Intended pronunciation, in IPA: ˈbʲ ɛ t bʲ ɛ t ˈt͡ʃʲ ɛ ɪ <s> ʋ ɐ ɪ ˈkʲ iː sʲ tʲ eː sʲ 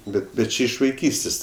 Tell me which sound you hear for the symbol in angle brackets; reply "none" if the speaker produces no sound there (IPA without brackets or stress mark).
ʃ